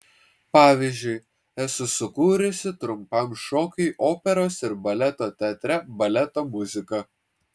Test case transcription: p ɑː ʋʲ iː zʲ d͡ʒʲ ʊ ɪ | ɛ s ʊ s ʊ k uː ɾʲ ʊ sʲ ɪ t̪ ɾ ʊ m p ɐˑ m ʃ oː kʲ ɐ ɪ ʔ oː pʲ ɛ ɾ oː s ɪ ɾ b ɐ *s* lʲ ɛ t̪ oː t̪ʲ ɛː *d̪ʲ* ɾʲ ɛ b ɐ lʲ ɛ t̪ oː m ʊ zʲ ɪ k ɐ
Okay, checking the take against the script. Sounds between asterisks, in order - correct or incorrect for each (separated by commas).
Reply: incorrect, incorrect